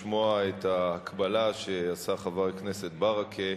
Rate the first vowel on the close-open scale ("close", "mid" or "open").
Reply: mid